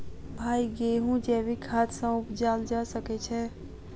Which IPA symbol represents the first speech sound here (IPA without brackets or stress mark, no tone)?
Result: bʱ